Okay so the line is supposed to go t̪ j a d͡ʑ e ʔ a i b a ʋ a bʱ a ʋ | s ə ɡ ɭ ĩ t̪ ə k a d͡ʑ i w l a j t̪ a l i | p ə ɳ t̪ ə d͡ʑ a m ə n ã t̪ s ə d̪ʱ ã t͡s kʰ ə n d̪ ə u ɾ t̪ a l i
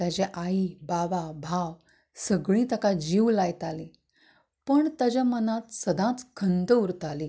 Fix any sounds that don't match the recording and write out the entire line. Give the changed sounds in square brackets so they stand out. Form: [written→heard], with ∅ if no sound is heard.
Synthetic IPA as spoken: t̪ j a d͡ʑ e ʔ a i b a ʋ a bʱ a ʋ | s ə ɡ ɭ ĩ t̪ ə k a d͡ʑ i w l a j t̪ a l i | p ə ɳ t̪ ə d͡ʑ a m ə n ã t̪ s ə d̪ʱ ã t͡s kʰ ə n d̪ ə u ɾ t̪ a l i